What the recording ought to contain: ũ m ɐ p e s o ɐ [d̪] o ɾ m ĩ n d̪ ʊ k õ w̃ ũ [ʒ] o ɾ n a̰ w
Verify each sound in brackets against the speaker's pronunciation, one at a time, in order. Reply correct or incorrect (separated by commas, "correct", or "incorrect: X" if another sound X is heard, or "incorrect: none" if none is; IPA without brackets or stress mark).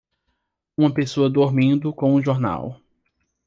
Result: correct, correct